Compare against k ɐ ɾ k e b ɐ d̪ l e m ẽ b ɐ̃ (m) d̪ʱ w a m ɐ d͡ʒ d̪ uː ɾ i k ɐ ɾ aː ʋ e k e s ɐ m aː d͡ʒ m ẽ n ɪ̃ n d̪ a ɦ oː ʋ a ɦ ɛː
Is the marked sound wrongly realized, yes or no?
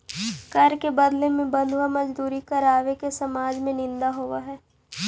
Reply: yes